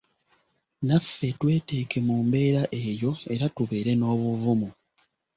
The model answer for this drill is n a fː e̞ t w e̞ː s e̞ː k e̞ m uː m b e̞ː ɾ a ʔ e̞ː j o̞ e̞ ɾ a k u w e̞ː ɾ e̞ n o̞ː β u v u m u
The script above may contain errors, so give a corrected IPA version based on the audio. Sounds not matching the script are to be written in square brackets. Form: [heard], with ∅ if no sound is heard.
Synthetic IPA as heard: n a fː e̞ t w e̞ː [t] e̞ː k e̞ m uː m b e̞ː ɾ a ʔ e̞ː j o̞ e̞ ɾ a [t] u [β] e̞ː ɾ e̞ n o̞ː β u v u m u